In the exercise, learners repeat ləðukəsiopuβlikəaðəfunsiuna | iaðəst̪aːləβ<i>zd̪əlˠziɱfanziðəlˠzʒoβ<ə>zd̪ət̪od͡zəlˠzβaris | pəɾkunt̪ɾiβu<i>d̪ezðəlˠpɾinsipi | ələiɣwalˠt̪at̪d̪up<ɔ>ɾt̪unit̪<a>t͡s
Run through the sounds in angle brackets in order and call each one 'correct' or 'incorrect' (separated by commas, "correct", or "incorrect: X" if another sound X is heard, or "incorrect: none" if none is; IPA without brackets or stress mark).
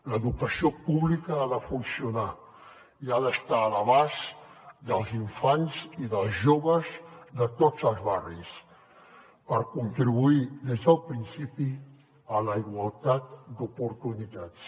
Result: incorrect: a, correct, correct, incorrect: u, correct